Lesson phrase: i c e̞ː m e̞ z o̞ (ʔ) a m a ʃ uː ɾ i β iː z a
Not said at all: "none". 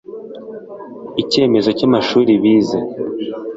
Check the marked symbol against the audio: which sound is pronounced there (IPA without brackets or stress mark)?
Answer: c